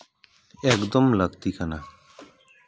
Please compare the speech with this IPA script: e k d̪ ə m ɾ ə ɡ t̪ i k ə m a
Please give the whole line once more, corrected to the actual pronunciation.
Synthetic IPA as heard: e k d̪ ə m l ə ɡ t̪ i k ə n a